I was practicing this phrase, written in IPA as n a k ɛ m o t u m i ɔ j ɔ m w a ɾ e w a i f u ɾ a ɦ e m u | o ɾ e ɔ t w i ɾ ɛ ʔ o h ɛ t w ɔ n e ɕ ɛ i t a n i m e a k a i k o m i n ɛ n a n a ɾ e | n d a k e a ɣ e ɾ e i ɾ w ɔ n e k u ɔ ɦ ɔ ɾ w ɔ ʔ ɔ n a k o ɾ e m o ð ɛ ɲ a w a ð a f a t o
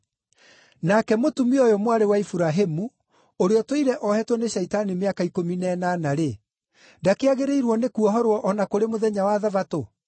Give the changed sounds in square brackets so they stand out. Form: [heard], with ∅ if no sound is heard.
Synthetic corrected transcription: n a k ɛ m o t u m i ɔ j ɔ m w a ɾ e w a i f u ɾ a ɦ e m u | o ɾ e ɔ t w i ɾ ɛ ʔ [ɔ] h ɛ t w ɔ n e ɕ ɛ i t a n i m e a k a i k o m i n ɛ n a n a ɾ e | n d a k e a ɣ e ɾ e i ɾ w ɔ n e k u ɔ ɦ ɔ ɾ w ɔ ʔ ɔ n a k o ɾ e m o ð ɛ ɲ a w a ð a [v] a t o